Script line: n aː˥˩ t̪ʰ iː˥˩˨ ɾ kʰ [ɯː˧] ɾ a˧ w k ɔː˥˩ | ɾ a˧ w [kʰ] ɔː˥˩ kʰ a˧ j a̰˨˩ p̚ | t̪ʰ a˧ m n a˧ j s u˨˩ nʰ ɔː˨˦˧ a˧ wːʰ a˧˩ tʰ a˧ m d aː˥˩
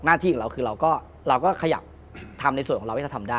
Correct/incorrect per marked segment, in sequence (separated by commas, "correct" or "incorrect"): correct, incorrect